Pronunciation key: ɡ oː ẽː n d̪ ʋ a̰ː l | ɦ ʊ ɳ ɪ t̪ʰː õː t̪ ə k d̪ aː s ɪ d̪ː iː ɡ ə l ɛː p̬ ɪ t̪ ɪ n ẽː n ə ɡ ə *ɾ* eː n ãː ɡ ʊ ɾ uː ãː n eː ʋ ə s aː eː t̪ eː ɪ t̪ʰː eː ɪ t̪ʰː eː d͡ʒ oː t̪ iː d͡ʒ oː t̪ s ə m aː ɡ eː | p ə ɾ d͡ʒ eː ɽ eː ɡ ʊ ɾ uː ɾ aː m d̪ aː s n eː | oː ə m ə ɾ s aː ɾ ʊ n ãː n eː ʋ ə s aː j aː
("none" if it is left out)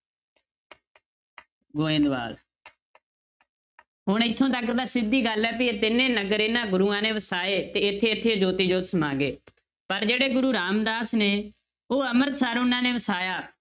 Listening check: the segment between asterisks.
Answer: ɾ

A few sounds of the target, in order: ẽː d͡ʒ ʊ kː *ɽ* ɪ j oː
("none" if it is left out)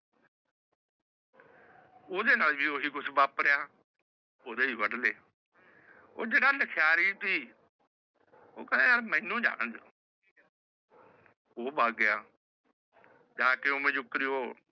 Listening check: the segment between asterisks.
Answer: ɾ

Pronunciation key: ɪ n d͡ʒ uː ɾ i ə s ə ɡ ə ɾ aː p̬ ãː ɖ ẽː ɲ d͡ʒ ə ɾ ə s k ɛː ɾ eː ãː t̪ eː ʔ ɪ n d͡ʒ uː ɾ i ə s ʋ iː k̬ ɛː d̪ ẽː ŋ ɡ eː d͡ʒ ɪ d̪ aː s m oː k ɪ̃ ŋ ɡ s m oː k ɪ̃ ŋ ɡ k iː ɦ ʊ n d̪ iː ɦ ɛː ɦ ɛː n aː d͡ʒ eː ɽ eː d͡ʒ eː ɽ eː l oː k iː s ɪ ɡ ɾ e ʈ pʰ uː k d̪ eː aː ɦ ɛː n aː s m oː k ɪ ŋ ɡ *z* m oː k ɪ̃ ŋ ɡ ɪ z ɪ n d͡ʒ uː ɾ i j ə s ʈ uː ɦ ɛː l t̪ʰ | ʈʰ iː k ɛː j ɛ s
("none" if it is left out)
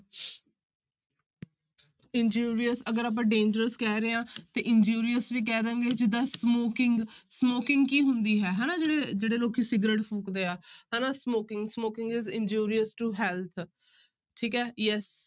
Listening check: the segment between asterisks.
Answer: s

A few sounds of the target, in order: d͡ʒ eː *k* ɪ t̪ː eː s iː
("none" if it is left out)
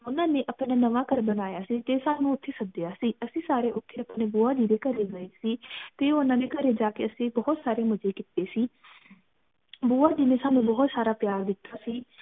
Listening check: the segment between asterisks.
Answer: k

